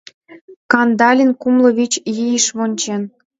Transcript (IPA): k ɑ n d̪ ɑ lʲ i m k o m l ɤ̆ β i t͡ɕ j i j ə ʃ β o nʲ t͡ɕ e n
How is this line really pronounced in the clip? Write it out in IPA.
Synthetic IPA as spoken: k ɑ n d̪ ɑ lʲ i n k u m l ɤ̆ β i t͡ɕ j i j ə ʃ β o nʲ t͡ɕ e n